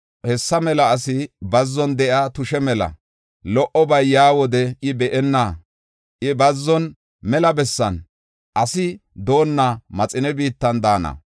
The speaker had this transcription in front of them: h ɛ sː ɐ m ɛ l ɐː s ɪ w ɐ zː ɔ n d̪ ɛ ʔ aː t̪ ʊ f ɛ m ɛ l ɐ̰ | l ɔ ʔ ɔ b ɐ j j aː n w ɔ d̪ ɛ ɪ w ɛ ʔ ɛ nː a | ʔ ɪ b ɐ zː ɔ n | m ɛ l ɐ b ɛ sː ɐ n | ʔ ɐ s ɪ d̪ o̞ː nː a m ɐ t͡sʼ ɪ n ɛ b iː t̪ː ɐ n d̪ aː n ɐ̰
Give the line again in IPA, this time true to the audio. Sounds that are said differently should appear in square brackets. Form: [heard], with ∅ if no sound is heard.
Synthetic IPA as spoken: h ɛ sː ɐ m ɛ l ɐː s ɪ [b] ɐ zː ɔ n d̪ ɛ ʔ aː t̪ ʊ [ʃ] ɛ m ɛ l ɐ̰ | l ɔ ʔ ɔ b ɐ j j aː [∅] w ɔ d̪ ɛ ɪ [b] ɛ ʔ ɛ nː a | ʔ ɪ b ɐ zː ɔ n | m ɛ l ɐ b ɛ sː ɐ n | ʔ ɐ s ɪ d̪ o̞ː nː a m ɐ t͡sʼ ɪ n ɛ b iː t̪ː ɐ n d̪ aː n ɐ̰